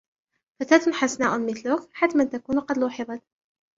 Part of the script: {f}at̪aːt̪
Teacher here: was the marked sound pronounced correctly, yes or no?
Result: yes